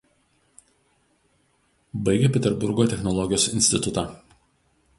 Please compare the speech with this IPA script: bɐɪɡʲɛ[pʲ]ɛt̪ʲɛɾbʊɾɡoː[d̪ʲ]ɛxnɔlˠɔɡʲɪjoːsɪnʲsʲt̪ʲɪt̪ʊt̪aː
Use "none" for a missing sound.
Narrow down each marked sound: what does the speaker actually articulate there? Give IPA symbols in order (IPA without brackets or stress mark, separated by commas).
pʲ, t̪ʲ